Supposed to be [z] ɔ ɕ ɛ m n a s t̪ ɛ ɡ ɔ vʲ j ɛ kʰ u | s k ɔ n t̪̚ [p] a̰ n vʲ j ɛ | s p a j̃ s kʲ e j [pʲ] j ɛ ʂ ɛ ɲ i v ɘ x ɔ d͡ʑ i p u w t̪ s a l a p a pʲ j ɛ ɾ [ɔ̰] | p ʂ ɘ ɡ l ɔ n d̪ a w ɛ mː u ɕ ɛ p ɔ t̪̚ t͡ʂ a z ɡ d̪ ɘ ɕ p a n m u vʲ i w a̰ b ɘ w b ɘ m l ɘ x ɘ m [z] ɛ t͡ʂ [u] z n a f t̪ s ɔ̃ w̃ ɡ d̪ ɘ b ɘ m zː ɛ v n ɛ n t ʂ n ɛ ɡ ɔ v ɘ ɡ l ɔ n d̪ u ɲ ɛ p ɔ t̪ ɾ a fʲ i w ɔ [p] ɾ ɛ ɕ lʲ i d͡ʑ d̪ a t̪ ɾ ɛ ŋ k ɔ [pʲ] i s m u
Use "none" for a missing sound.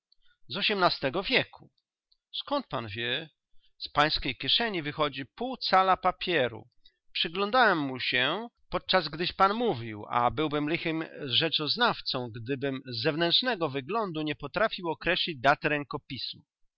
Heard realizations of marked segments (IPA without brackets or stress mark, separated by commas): z, p, kʲ, ṵ, ʐ, ɔ, k, pʲ